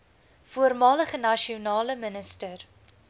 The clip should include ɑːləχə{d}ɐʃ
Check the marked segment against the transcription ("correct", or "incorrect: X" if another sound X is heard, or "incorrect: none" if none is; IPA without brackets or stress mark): incorrect: n